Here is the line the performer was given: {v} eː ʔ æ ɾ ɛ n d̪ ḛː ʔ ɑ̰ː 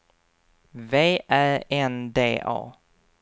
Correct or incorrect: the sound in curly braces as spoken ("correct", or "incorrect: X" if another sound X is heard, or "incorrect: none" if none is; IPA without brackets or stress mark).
correct